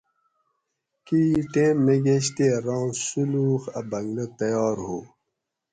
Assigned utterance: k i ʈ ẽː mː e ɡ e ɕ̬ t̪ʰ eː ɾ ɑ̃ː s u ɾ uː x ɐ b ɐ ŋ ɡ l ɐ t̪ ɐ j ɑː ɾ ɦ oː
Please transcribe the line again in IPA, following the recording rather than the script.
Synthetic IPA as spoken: k i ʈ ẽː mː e ɡ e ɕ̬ t̪ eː ɾ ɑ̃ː s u l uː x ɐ b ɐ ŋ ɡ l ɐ t̪ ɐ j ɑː ɾ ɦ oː